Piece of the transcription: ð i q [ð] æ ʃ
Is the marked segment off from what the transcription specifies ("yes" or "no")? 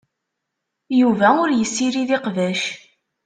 yes